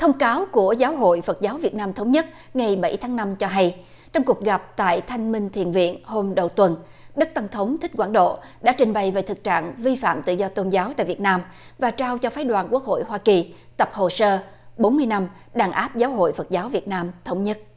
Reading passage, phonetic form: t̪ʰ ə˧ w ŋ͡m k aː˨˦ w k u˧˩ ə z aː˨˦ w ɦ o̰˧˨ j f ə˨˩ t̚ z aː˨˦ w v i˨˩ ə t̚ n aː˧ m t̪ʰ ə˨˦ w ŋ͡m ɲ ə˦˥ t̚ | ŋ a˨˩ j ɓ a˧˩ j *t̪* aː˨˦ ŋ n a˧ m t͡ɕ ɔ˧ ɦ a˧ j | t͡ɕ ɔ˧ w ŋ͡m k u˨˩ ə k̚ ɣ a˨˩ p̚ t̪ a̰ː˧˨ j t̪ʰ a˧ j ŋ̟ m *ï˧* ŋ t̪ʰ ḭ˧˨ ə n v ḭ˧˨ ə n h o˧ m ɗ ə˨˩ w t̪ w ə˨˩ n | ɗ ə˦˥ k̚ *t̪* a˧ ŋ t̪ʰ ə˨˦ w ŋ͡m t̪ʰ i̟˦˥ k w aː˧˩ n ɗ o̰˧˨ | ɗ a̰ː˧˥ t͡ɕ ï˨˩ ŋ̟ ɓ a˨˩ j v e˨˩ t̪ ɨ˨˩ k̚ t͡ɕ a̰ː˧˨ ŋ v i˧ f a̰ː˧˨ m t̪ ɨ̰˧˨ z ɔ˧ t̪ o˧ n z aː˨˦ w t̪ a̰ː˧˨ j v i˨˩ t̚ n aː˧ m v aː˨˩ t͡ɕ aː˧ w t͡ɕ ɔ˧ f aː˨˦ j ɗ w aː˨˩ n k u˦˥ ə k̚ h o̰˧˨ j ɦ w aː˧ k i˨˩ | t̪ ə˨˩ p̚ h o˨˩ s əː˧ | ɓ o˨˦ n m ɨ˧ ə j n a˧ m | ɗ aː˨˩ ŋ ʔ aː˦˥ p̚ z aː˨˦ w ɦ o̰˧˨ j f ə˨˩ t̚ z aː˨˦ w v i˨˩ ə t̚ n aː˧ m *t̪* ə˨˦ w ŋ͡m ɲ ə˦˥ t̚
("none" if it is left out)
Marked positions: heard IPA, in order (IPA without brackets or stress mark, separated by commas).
t̪ʰ, ï˧, t̪, t̪ʰ